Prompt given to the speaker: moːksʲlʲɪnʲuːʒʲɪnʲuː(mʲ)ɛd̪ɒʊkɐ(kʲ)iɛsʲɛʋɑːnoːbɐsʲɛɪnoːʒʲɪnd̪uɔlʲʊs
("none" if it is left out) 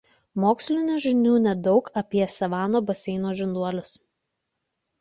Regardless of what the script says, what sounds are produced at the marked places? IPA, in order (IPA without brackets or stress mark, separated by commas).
nʲ, pʲ